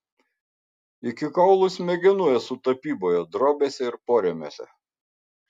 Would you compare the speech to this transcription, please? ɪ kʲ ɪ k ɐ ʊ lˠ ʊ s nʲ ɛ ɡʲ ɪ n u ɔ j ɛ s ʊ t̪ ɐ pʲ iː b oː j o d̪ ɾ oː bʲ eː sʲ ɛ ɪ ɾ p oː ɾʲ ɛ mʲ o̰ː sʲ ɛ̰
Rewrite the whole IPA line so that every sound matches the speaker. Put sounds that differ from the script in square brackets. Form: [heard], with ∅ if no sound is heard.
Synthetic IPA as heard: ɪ kʲ ɪ k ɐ ʊ lˠ ʊ s [mʲ] ɛ ɡʲ ɪ n u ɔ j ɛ s ʊ t̪ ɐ pʲ iː b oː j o d̪ ɾ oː bʲ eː sʲ ɛ ɪ ɾ p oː ɾʲ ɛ mʲ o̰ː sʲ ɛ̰